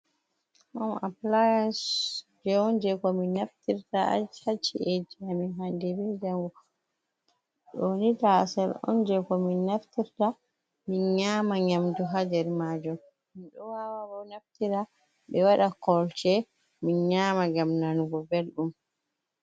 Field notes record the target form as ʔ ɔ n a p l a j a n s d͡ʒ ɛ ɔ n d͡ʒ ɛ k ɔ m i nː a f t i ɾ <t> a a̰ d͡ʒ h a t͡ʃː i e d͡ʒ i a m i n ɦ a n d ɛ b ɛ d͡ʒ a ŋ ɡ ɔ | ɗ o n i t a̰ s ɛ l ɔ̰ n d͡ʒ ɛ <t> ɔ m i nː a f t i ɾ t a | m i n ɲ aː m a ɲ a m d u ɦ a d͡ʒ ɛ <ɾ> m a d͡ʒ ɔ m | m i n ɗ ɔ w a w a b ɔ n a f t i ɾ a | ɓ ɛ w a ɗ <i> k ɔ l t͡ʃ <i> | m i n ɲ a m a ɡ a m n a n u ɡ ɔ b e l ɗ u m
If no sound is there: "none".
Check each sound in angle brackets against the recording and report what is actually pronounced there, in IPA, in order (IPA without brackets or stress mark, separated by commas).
t, k, ɾ, a, ɛ